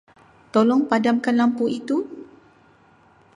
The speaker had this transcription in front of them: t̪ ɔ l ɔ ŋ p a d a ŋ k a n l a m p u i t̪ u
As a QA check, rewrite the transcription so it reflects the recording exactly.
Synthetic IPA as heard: t̪ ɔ l ɔ ŋ p a d a m k a n l a m p u i t̪ u